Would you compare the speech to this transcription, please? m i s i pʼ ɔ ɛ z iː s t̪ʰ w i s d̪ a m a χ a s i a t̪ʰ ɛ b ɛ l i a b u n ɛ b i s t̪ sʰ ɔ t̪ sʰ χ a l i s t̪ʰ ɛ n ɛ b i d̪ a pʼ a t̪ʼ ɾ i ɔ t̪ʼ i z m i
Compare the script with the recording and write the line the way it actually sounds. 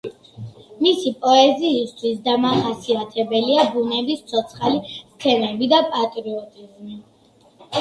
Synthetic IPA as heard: m i s i pʼ ɔ ɛ z iː s t̪ʰ w i s d̪ a m a χ a s i a t̪ʰ ɛ b ɛ l i a b u n ɛ b i s t̪ sʰ ɔ t̪ sʰ χ a l i s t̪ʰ ɛ n ɛ b i d̪ a pʼ a t̪ʼ ɾ i ɔ t̪ʼ i z m i

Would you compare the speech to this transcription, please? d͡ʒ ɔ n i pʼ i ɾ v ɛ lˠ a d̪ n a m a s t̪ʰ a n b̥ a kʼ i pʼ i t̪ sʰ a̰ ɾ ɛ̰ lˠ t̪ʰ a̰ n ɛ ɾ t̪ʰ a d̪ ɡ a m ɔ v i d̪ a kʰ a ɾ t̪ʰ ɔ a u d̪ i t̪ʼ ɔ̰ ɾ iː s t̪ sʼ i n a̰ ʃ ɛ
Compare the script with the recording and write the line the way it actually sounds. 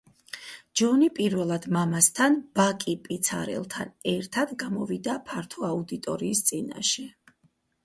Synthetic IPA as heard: d͡ʒ ɔ n i pʼ i ɾ v ɛ lˠ a d̪ m a m a s t̪ʰ a n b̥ a kʼ i pʼ i t̪ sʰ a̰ ɾ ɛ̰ lˠ t̪ʰ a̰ n ɛ ɾ t̪ʰ a d̪ ɡ a m ɔ v i d̪ a pʰ a ɾ t̪ʰ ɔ a u d̪ i t̪ʼ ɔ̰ ɾ iː s t̪ sʼ i n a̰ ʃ ɛ

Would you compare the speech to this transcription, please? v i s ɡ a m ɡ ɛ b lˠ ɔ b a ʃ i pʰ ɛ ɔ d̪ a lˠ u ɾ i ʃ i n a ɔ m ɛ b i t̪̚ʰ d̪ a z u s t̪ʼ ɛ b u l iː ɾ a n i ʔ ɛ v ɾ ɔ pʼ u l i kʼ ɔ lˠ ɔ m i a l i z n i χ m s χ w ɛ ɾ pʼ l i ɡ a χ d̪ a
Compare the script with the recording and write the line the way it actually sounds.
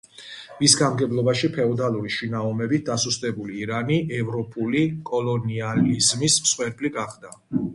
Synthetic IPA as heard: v i s ɡ a m ɡ ɛ b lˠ ɔ b a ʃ i pʰ ɛ ɔ d̪ a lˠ u ɾ i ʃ i n a ɔ m ɛ b i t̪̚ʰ d̪ a s u s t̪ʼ ɛ b u l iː ɾ a n i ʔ ɛ v ɾ ɔ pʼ u l i kʼ ɔ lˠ ɔ n i a l i z m i s m s χ w ɛ ɾ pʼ l i ɡ a χ d̪ a

